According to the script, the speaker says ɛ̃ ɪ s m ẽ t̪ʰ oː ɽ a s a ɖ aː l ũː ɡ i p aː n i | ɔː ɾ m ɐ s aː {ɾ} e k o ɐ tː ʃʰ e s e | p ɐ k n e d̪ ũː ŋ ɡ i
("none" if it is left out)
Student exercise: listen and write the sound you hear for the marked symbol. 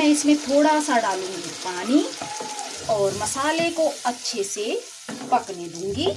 l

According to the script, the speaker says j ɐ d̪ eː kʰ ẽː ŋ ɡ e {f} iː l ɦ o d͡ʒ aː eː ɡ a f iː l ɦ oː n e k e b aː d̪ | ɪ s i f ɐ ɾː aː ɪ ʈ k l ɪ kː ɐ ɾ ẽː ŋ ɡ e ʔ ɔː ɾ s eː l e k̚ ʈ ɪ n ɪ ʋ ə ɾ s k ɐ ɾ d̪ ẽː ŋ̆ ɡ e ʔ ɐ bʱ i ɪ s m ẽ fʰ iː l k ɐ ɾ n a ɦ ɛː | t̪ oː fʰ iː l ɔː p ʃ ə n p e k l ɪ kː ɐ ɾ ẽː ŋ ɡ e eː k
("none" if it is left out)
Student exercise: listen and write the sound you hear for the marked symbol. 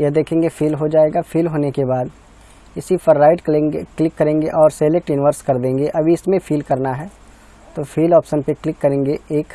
f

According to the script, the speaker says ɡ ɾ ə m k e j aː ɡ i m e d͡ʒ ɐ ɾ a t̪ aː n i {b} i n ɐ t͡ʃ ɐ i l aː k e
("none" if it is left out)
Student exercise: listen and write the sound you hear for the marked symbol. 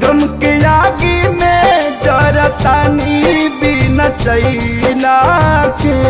b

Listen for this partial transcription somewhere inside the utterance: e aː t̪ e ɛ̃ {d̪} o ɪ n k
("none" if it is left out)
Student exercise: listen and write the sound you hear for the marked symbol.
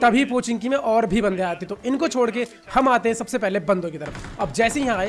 t̪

